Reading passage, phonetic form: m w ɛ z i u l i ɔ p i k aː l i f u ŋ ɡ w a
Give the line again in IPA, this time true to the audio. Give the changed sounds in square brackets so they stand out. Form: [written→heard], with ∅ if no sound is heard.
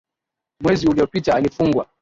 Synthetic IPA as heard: m w ɛ z i u l i ɔ p i [k→t] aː l i f u ŋ ɡ w a

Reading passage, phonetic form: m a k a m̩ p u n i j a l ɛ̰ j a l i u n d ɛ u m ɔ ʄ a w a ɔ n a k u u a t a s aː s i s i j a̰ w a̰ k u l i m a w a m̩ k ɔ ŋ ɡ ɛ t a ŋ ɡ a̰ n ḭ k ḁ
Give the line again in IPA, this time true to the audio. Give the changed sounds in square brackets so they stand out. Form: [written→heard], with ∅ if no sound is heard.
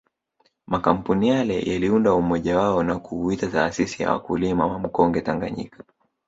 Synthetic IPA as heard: m a k a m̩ p u n i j a l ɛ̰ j a l i u n d [ɛ→a] u m ɔ ʄ a w a ɔ n a k u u [a→i] t a [s→t] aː s i s i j a̰ w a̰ k u l i m a w a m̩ k ɔ ŋ ɡ ɛ t a ŋ ɡ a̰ [n→ɲ] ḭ k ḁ

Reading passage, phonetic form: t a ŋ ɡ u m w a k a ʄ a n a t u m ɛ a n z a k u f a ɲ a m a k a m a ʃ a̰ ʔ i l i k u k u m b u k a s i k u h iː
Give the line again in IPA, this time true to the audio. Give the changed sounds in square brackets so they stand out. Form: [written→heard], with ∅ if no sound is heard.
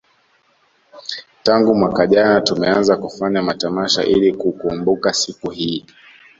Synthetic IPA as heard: t a ŋ ɡ u m w a k a ʄ a n a t u m ɛ a n z a k u f a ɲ a m a [k→t] a m a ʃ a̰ ʔ i l i k u k u m b u k a s i k u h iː

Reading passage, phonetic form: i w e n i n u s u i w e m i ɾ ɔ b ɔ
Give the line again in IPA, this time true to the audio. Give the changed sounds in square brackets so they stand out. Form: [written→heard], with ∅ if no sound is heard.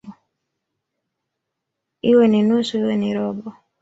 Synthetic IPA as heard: i w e n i n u s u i w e [m→n] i ɾ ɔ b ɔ

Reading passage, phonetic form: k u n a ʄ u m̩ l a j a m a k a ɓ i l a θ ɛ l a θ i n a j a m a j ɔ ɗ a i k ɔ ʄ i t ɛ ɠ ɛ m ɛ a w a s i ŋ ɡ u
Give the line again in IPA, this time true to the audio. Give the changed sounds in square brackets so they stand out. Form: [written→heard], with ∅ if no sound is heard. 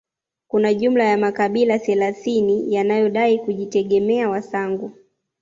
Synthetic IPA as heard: k u n a ʄ u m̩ l a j a m a k a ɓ i l a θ ɛ l a θ i n [a→i] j a [m→n] a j ɔ ɗ a i k [ɔ→u] ʄ i t ɛ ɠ ɛ m ɛ a w a s [i→a] ŋ ɡ u

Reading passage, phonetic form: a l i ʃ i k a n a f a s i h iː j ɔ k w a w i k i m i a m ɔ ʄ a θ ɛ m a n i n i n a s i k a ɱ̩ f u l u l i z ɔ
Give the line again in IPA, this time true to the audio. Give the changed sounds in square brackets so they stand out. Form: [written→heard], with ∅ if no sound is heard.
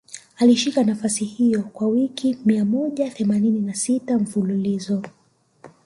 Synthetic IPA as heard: a l i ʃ i k a n a f a s i h [iː→i] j ɔ k w a w i k i m i a m ɔ ʄ a θ ɛ m a n i n i n a s i [k→t] a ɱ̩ f u l u l i z ɔ

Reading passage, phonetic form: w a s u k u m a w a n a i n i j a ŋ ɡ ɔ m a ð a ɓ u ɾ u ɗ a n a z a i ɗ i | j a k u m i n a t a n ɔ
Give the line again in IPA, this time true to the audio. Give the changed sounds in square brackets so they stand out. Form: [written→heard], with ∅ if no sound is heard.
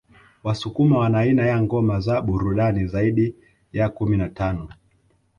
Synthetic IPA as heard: w a s u k u m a w a n a i n [i→a] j a ŋ ɡ ɔ m a [ð→z] a ɓ u ɾ u ɗ a n [a→i] z a i ɗ i | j a k u m i n a t a n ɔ

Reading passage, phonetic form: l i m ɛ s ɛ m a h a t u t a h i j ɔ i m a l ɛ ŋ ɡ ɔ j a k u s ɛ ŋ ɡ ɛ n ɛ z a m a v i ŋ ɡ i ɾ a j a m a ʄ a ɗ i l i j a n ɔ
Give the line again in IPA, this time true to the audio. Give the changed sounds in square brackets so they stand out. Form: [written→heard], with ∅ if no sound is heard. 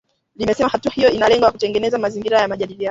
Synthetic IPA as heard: l i m ɛ s ɛ m a h a t u [t→∅] a h i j ɔ i [m→n] a l ɛ ŋ ɡ ɔ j a k u [s→t] ɛ ŋ ɡ ɛ n ɛ z a m a [v→z] i ŋ ɡ i ɾ a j a m a ʄ a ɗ i l i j a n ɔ

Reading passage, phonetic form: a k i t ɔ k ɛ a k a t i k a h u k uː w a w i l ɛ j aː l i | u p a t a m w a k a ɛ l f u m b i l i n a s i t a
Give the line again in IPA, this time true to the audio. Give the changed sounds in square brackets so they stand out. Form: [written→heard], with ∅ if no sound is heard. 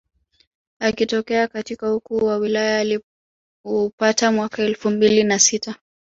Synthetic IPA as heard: a k i t ɔ k ɛ a k a t i k a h u k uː w a w i l [ɛ→a] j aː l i | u p a t a m w a k a ɛ l f u m b i l i n a s i t a

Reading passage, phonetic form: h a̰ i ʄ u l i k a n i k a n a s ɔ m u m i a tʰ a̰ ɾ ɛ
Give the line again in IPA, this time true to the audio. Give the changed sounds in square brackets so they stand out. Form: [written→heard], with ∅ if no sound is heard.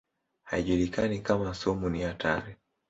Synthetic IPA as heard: h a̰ i ʄ u l i k a n i k a [n→m] a s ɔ m u [m→n] i a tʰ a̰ ɾ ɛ

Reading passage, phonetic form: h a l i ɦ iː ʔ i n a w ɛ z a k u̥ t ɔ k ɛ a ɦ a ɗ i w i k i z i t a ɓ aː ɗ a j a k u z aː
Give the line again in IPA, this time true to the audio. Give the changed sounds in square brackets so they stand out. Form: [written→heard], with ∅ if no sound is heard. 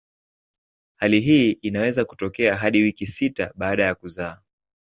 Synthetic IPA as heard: h a l i ɦ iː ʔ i n a w ɛ z a k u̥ t ɔ k ɛ a ɦ a ɗ i w i k i [z→s] i t a ɓ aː ɗ a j a k u z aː

